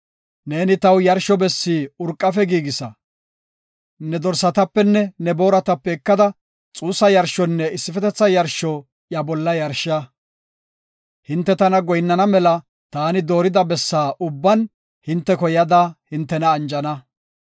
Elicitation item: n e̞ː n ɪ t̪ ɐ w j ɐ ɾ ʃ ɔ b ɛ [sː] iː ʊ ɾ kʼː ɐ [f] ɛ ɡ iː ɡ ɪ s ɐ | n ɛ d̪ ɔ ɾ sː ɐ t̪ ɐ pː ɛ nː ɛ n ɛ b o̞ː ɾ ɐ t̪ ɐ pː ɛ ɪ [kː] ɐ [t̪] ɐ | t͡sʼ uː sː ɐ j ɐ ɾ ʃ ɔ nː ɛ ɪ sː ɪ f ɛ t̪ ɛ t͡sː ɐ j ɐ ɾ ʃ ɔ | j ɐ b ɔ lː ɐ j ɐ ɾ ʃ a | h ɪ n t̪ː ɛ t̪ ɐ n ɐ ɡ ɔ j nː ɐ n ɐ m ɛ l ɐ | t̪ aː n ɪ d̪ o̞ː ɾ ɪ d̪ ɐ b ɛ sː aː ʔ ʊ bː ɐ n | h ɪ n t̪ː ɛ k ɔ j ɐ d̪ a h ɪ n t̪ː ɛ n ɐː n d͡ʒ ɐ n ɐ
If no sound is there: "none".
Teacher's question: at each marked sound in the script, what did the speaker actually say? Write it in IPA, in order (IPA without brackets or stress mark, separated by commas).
sː, f, kː, d̪